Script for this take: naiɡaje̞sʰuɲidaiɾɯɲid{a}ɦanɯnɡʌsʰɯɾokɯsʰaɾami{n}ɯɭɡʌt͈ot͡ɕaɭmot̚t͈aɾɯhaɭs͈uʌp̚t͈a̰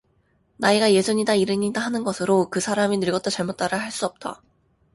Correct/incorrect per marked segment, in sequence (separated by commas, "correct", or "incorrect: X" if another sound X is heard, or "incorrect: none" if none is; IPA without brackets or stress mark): correct, correct